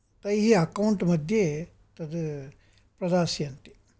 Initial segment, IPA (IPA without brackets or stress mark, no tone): t̪